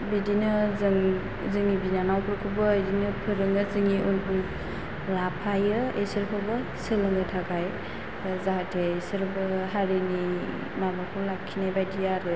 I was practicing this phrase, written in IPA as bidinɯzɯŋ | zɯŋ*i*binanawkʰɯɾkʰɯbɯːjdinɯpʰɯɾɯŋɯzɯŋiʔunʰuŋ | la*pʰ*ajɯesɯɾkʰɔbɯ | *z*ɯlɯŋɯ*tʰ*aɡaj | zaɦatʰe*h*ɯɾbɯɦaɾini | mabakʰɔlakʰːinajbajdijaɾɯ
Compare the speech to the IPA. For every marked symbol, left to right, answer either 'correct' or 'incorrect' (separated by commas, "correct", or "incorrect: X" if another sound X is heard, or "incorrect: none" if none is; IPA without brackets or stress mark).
correct, correct, incorrect: s, correct, incorrect: s